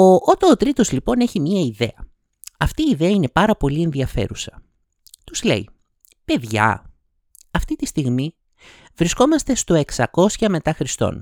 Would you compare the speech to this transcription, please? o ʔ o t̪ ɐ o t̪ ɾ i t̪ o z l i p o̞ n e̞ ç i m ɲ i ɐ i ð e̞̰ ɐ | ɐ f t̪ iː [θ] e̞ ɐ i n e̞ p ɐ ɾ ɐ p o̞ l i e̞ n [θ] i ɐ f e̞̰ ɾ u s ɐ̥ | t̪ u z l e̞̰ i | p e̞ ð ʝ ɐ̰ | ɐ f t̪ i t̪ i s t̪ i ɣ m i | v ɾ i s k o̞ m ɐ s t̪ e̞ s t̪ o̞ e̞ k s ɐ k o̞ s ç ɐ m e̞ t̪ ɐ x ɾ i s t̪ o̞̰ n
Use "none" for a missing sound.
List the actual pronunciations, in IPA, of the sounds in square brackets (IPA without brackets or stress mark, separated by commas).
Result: ð, ð